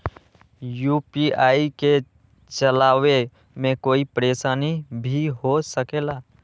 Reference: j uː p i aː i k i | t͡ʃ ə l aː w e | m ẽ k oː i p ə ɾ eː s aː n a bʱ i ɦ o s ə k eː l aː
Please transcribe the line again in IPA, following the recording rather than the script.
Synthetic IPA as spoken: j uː p i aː i k e | t͡ʃ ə l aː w e | m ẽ k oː i p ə ɾ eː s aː n i bʱ i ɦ o s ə k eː l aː